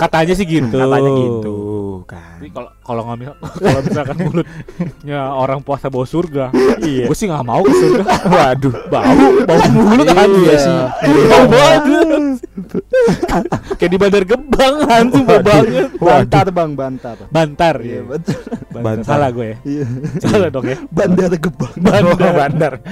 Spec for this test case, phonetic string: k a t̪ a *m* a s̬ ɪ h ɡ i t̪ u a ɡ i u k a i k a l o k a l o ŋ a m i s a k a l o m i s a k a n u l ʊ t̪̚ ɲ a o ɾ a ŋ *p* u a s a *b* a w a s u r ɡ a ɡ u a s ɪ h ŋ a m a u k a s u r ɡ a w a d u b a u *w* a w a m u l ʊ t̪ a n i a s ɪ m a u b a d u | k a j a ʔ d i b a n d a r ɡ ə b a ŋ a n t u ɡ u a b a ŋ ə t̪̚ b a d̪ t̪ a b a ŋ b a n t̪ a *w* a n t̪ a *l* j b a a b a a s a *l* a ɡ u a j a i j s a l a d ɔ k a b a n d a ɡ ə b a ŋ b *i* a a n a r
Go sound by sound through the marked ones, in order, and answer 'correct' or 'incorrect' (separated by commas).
incorrect, correct, correct, incorrect, incorrect, incorrect, correct, incorrect